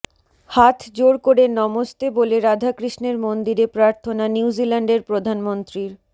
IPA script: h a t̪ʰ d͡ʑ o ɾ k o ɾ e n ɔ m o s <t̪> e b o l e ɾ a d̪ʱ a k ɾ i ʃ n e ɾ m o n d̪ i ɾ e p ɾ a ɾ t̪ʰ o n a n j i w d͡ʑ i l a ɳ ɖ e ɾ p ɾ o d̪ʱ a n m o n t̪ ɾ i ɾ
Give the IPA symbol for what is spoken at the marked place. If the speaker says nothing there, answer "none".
t̪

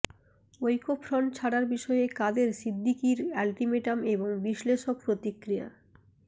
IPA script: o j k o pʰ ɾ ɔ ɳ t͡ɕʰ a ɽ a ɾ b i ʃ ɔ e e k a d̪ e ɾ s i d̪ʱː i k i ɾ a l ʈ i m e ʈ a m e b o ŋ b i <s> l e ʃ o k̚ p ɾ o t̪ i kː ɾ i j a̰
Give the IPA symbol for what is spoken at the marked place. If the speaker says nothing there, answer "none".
ʃ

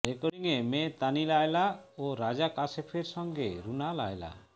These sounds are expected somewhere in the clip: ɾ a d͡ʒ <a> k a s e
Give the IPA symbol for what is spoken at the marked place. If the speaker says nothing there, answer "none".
a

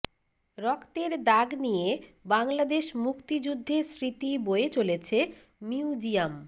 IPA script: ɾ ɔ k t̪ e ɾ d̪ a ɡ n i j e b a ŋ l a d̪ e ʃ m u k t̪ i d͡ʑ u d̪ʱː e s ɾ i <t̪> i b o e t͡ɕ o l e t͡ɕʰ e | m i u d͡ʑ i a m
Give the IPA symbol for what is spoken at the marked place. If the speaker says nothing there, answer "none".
t̪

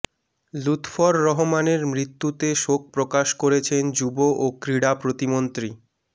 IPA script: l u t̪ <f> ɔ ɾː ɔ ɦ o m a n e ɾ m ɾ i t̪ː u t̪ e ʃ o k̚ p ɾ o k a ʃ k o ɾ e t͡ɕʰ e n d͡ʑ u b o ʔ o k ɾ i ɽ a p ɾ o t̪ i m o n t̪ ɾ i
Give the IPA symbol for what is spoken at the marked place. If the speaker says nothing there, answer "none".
f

